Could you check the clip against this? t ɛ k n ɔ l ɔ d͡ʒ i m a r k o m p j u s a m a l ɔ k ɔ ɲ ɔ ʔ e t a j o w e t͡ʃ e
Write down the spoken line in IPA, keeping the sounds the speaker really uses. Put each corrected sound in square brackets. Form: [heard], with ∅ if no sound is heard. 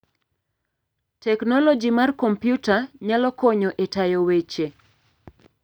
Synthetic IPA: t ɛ k n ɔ l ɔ d͡ʒ i m a r k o m p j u [t] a [ɲ] a l ɔ k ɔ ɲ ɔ ʔ e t a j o w e t͡ʃ e